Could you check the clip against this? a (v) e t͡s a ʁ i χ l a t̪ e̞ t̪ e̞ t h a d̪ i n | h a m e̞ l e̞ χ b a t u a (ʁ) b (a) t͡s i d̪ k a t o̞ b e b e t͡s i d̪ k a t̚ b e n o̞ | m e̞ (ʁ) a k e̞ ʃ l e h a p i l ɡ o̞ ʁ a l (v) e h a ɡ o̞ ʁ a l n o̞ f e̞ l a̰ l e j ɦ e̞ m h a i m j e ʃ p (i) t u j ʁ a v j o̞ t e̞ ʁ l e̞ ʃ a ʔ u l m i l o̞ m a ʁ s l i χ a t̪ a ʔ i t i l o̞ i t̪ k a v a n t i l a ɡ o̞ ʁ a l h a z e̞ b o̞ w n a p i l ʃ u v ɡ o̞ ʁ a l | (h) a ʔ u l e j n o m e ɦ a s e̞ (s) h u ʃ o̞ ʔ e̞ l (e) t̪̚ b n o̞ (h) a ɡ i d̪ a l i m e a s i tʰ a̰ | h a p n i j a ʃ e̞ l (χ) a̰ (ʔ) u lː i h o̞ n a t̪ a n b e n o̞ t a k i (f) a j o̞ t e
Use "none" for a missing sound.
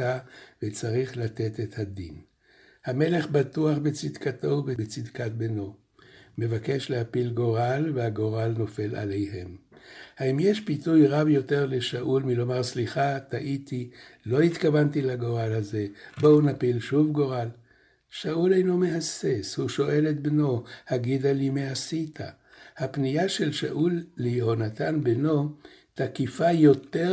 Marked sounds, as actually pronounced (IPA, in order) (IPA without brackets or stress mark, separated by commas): v, χ, e, v, v, i, ʃ, s, e, h, ʃ, ʔ, f